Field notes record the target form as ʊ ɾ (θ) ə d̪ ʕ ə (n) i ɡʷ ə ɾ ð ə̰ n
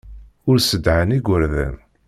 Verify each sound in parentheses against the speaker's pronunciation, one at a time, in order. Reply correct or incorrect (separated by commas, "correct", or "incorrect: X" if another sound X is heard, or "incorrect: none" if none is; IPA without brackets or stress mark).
incorrect: s, correct